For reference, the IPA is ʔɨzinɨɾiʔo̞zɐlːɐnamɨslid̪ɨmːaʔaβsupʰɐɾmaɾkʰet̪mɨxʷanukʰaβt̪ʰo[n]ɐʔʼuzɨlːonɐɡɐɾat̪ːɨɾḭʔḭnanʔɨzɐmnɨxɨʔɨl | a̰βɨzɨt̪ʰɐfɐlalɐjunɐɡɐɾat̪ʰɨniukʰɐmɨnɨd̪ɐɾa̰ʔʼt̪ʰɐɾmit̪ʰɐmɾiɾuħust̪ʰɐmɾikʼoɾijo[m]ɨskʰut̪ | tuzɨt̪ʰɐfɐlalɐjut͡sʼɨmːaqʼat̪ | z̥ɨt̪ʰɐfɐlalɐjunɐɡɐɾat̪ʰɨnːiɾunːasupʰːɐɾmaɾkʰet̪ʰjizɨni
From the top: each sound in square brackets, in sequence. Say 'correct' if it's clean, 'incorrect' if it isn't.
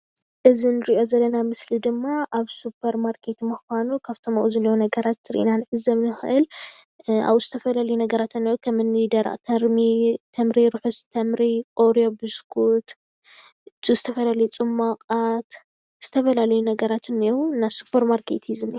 incorrect, incorrect

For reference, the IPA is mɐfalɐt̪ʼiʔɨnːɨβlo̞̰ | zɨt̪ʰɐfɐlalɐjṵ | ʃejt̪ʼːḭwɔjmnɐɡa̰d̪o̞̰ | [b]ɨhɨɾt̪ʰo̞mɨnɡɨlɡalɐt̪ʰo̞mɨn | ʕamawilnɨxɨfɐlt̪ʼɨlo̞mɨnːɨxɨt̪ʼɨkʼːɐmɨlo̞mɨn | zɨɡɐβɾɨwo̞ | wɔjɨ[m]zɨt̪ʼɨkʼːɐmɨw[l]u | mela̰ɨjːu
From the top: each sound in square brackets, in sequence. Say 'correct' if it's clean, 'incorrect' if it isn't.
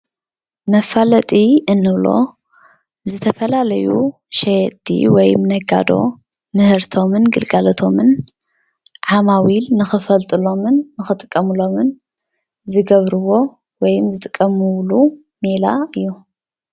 incorrect, correct, correct

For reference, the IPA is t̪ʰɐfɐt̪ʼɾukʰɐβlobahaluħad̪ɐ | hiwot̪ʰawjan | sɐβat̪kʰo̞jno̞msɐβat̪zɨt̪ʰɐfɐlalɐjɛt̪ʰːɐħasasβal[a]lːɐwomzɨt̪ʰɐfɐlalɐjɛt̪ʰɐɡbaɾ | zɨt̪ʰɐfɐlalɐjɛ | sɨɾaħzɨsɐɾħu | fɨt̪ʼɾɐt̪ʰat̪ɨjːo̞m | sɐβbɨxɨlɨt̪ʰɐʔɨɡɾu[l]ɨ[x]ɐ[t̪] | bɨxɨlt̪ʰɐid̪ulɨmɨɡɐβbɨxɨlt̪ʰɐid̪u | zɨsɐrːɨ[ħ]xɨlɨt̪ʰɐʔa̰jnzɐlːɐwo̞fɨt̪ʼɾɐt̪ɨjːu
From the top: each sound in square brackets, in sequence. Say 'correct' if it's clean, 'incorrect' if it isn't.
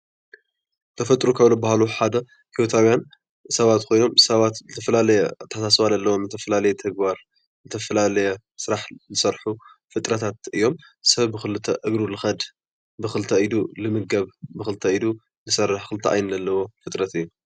incorrect, correct, correct, incorrect, correct

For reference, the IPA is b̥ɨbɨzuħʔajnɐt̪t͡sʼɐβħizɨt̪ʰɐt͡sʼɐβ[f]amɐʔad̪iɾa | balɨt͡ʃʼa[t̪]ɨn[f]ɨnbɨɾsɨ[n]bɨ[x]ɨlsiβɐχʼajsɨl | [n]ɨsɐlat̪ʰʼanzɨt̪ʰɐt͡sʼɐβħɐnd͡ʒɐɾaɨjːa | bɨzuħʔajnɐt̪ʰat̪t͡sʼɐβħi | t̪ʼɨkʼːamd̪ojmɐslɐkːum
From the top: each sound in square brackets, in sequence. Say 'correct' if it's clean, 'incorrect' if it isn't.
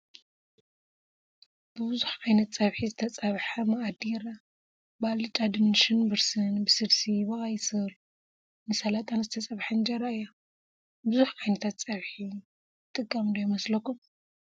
incorrect, incorrect, incorrect, correct, incorrect, correct

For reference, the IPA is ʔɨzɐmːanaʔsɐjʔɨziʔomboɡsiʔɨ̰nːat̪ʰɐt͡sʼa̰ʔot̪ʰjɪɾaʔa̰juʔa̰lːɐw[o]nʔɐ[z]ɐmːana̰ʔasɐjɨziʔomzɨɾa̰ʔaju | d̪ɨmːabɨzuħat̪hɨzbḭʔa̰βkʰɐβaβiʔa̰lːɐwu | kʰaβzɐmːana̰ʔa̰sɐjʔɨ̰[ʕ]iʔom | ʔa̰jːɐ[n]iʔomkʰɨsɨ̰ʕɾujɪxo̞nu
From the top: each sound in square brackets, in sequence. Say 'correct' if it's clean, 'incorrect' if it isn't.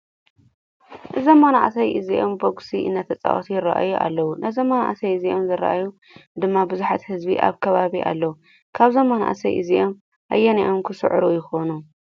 incorrect, correct, incorrect, correct

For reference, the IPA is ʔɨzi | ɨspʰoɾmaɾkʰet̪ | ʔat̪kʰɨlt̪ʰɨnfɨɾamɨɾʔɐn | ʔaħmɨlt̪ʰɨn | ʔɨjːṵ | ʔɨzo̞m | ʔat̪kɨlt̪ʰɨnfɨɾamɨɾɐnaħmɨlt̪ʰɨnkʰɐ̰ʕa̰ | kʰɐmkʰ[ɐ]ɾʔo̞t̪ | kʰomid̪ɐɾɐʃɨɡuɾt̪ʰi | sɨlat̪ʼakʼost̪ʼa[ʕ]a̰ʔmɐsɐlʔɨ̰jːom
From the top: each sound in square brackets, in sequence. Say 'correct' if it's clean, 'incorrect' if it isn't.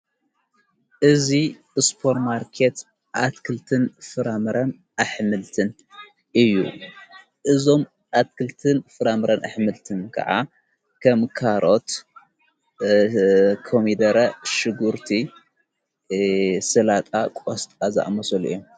incorrect, incorrect

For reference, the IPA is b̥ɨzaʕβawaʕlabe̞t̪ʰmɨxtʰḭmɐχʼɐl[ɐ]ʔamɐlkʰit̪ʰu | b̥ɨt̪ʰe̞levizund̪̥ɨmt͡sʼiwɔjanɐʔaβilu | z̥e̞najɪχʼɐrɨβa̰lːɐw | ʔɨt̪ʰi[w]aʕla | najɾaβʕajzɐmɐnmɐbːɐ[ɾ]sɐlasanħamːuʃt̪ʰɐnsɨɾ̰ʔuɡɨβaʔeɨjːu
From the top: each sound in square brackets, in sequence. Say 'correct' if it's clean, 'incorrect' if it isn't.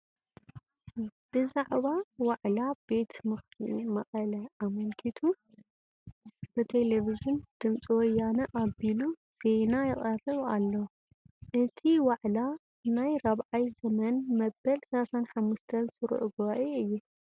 correct, correct, incorrect

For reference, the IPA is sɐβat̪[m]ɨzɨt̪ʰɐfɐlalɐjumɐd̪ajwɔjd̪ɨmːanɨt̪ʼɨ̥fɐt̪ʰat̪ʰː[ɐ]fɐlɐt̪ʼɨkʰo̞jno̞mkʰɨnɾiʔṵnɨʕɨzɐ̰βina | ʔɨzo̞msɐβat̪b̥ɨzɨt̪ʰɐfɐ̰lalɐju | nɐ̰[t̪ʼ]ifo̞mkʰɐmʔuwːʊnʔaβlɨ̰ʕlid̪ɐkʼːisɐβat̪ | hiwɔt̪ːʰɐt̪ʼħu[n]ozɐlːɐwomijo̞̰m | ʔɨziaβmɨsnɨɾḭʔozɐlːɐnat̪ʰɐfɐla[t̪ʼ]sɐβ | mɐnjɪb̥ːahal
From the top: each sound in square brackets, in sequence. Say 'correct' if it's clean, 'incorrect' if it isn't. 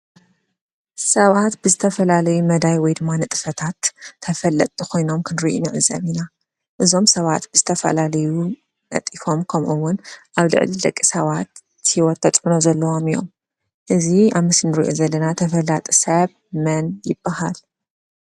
incorrect, correct, correct, correct, correct

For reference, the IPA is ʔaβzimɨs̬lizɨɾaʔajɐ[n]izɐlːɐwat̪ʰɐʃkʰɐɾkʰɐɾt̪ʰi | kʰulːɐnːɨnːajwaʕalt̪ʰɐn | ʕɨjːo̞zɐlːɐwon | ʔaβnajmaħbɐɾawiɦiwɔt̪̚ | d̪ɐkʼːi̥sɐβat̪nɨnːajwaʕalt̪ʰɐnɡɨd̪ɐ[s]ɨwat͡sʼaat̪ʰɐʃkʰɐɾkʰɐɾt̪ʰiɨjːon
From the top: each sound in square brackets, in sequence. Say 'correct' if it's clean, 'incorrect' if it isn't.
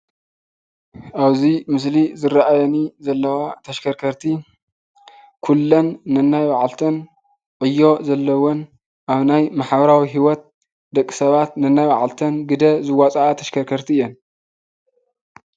correct, incorrect

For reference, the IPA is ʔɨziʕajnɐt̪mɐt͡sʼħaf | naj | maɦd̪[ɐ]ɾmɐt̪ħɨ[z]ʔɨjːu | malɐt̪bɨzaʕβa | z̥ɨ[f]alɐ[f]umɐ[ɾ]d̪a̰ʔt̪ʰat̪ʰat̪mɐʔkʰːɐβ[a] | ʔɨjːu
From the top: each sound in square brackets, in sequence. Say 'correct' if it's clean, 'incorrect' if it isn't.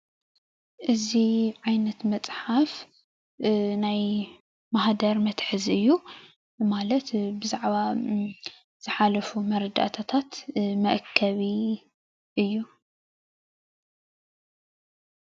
correct, correct, incorrect, correct, correct, incorrect

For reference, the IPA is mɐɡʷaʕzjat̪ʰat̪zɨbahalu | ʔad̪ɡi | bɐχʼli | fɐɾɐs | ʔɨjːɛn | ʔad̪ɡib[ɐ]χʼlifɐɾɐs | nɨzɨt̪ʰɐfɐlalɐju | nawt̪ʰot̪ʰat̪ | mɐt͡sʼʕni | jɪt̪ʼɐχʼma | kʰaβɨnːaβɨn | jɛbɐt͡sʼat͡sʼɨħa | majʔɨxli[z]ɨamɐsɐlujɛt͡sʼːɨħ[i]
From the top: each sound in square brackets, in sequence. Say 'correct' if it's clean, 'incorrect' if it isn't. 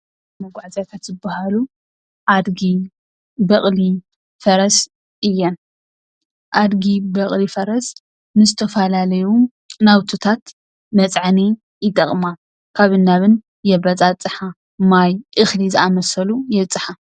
correct, correct, incorrect

